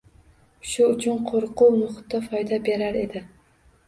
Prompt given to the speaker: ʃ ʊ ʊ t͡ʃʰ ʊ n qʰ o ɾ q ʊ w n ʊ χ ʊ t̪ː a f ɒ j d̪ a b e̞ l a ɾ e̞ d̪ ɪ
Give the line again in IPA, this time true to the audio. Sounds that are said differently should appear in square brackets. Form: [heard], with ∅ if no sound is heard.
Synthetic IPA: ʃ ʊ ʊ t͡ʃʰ ʊ n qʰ o ɾ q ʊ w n ʊ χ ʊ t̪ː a f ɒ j d̪ a b e̞ [ɾ] a ɾ e̞ d̪ ɪ